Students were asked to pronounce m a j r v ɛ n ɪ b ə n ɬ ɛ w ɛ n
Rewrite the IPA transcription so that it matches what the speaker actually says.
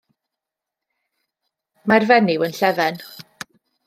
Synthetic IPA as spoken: m a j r v ɛ n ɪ w ə n ɬ ɛ v ɛ n